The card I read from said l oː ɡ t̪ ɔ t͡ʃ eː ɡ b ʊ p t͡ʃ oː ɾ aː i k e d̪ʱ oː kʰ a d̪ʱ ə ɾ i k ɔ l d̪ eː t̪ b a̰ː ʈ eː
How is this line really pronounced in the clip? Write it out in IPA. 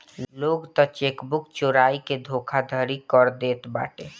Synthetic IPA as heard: l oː ɡ t̪ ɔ t͡ʃ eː k b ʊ k t͡ʃ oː ɾ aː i k e d̪ʱ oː kʰ a d̪ʱ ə ɾ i k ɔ ɾ d̪ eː t̪ b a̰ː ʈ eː